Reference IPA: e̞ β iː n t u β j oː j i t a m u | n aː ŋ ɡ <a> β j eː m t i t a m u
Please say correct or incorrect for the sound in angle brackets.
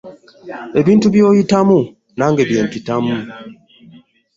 incorrect: e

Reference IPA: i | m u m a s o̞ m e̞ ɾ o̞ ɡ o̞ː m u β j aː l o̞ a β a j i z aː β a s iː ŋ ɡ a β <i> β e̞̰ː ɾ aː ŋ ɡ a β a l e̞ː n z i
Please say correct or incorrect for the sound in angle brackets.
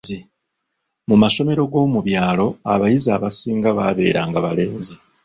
incorrect: a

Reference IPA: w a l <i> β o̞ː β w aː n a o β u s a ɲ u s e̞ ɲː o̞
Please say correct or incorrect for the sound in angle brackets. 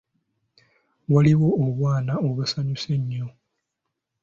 correct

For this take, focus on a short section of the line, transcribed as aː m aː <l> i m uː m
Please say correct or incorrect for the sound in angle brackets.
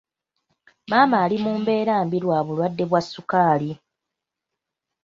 correct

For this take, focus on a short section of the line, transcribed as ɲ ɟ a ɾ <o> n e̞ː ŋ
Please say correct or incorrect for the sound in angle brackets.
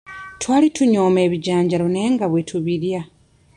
correct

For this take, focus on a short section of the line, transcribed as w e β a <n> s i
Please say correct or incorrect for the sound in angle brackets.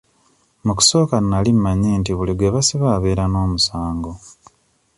incorrect: none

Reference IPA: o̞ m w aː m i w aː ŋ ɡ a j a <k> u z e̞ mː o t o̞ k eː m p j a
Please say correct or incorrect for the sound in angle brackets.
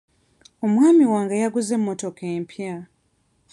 incorrect: ɡ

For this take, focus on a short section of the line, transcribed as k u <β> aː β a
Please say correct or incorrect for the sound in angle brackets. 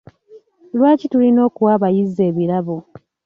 incorrect: w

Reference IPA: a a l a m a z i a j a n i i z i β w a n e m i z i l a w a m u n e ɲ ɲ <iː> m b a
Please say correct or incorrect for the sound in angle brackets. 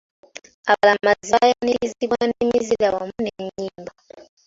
correct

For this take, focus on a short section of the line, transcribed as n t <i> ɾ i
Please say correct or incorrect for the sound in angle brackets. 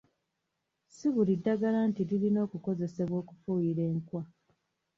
correct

